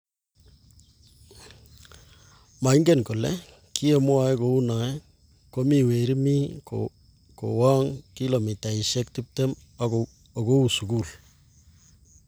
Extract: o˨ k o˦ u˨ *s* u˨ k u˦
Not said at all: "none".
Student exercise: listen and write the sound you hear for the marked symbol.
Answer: s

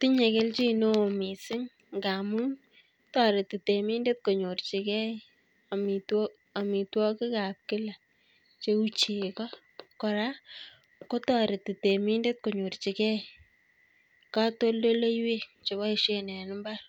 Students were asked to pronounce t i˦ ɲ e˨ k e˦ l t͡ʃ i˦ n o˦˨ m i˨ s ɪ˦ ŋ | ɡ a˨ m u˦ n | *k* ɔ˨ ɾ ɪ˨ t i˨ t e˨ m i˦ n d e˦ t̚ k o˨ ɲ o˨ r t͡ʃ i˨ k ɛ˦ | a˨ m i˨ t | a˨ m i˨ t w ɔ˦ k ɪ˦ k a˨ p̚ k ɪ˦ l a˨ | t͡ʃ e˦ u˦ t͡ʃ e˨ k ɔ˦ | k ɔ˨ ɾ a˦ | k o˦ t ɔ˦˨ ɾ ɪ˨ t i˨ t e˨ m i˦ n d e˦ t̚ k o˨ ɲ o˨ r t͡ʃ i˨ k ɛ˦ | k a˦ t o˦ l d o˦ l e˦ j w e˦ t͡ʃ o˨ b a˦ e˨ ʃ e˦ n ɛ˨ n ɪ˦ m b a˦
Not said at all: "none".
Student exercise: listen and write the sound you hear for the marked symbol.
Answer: t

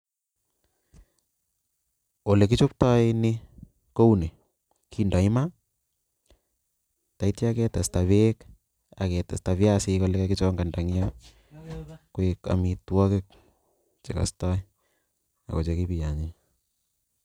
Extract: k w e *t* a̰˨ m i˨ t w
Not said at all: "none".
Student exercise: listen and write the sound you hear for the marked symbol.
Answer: k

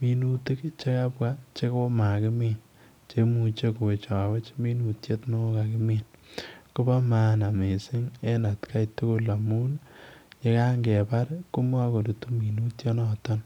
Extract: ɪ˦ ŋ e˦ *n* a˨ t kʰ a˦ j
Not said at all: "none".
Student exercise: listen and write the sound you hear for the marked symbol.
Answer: n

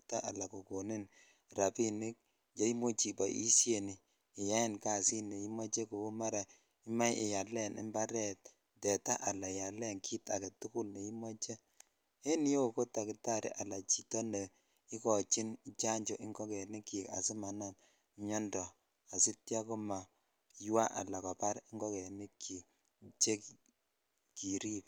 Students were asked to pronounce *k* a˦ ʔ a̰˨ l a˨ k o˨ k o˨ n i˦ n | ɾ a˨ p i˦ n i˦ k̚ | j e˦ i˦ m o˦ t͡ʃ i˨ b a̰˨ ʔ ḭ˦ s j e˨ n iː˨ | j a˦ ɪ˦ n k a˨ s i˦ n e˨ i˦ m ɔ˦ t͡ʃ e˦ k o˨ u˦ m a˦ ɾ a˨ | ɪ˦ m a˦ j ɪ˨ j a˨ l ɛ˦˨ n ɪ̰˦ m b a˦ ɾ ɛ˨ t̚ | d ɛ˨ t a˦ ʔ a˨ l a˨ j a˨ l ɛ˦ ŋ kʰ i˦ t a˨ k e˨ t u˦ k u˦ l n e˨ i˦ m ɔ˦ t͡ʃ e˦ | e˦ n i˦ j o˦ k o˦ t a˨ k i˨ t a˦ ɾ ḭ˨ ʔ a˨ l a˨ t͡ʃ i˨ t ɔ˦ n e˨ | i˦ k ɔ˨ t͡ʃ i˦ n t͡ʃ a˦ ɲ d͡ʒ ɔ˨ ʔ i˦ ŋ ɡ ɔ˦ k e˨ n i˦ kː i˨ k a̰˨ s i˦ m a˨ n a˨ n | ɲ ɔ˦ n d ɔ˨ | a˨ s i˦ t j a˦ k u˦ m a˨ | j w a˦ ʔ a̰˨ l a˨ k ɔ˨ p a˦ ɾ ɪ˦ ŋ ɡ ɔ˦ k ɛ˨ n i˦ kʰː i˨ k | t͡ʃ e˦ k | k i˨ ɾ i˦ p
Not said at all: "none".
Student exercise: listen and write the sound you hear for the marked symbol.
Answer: t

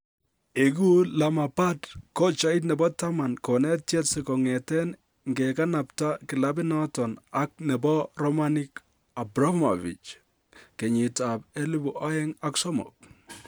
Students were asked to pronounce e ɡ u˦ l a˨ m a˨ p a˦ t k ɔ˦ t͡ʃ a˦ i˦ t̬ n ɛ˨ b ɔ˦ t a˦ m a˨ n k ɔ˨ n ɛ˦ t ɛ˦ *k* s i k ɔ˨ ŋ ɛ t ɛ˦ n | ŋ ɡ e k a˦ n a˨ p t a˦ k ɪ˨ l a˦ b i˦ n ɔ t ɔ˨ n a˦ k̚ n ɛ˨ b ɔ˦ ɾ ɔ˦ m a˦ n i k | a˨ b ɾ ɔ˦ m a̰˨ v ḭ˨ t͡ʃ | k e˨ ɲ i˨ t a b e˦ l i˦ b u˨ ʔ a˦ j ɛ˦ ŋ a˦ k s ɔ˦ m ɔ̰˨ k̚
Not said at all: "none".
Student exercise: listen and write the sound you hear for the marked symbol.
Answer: t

